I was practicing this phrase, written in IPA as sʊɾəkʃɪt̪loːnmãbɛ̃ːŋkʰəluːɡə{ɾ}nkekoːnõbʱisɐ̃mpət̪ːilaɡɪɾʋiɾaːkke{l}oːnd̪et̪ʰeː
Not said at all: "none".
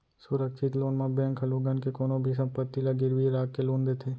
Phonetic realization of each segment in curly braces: none, l

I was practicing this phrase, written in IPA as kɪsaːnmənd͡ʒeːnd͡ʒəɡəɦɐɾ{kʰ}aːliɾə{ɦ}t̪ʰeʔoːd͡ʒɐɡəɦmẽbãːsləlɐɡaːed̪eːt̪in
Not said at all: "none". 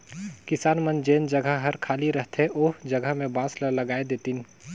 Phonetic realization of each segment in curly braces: kʰ, ɦ

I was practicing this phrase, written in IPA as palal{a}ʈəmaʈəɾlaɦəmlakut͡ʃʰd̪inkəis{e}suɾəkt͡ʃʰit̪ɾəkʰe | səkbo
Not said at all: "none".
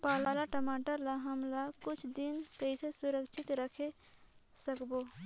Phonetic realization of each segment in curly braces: a, e

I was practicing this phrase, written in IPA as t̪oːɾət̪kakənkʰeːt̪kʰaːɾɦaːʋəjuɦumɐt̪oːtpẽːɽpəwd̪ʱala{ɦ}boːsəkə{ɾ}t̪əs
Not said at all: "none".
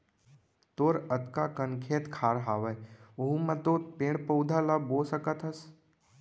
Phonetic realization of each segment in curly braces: none, none

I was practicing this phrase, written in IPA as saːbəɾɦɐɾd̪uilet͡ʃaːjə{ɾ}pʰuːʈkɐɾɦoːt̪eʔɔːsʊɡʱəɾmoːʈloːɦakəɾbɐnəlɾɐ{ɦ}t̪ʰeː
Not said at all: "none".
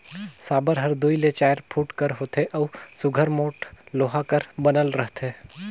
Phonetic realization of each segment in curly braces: ɾ, ɦ

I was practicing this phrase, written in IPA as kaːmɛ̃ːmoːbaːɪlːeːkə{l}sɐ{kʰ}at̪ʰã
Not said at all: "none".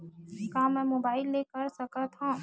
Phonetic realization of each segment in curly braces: ɾ, k

